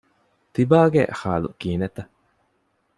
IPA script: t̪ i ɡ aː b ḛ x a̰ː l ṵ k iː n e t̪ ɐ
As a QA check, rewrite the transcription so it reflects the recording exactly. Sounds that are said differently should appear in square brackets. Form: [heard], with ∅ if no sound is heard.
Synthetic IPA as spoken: t̪ i [b] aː [ɡ] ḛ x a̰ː l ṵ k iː n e t̪ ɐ